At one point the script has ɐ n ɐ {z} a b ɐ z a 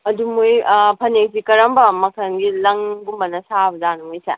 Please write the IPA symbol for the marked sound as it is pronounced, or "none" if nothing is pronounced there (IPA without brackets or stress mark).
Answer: s